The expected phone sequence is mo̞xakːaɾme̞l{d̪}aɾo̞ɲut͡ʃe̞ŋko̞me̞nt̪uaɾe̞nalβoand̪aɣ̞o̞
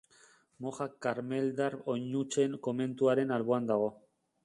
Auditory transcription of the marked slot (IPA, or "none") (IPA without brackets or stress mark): d̪